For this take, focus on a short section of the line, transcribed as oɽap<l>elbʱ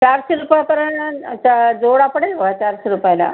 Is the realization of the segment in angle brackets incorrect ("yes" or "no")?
yes